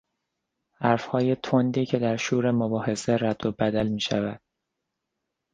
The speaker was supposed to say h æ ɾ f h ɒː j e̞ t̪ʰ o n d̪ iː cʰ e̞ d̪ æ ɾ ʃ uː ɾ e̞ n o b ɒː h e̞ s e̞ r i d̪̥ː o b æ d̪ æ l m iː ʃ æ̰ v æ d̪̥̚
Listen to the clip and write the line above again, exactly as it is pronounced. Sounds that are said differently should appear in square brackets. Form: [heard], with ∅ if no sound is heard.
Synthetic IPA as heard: h æ ɾ f h ɒː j e̞ t̪ʰ o n d̪ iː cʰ e̞ d̪ æ ɾ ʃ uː ɾ e̞ [m] o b ɒː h e̞ s e̞ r [æ] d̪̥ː o b æ d̪ æ l m iː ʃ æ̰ v æ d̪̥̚